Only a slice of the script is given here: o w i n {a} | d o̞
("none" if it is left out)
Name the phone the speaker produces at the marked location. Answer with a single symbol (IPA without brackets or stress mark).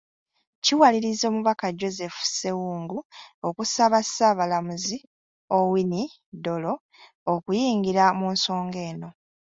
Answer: i